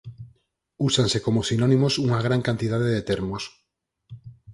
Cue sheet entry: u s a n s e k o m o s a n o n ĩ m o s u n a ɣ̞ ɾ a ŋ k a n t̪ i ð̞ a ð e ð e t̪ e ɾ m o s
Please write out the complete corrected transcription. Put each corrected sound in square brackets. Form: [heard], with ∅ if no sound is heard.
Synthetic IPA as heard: u s a n s e k o m o s [i] n o n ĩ m o s u [ŋ] a ɣ̞ ɾ a ŋ k a n t̪ i ð̞ a ð e ð e t̪ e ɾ m o s